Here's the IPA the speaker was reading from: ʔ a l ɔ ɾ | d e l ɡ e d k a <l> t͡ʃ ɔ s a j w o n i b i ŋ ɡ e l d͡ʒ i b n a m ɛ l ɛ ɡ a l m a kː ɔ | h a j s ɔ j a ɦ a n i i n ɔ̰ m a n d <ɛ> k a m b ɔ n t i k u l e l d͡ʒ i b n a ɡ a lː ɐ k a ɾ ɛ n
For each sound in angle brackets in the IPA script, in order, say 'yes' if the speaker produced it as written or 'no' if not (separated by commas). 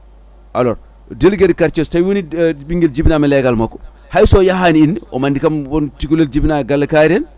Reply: no, no